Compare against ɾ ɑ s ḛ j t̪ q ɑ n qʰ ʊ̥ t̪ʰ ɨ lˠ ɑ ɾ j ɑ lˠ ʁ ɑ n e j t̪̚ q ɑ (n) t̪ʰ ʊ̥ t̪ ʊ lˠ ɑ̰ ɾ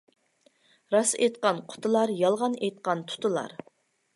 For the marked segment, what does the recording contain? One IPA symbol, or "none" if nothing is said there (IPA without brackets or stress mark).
n